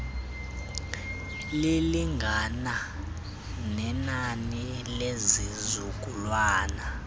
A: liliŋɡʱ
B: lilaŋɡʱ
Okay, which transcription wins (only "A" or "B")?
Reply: A